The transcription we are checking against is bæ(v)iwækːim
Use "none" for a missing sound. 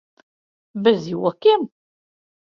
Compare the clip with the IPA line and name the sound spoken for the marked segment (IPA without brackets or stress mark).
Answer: z